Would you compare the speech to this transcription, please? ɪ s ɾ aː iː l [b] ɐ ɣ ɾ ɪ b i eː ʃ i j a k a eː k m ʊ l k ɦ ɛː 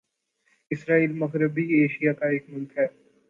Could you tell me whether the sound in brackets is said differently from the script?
yes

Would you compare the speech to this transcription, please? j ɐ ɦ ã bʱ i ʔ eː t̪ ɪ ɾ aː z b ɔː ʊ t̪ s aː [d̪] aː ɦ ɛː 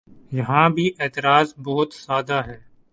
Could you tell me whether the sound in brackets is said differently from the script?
no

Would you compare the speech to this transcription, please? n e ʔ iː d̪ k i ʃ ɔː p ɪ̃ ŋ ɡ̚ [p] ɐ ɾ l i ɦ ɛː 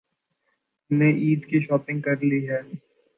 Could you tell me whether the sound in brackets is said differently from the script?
yes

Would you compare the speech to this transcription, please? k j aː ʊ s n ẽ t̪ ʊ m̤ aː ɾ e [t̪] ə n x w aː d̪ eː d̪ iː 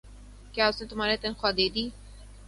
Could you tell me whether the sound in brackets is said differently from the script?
no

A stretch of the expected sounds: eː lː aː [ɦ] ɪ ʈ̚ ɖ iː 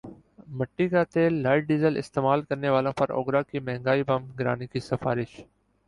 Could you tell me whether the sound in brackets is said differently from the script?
yes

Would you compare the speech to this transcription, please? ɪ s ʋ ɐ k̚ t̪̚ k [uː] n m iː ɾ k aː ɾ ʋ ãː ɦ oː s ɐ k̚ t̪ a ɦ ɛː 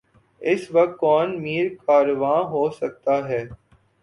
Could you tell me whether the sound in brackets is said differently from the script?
yes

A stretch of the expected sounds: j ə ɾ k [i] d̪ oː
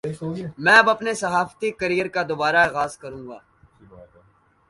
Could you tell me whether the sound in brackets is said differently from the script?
yes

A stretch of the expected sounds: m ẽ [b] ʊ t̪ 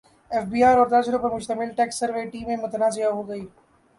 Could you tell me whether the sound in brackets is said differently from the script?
yes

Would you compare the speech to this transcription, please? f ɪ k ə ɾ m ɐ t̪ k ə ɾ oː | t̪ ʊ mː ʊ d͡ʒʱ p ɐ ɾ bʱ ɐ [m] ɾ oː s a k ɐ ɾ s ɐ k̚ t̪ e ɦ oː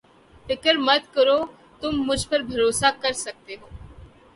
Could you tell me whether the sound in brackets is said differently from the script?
yes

